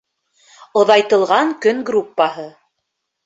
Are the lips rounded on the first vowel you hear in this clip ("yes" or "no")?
yes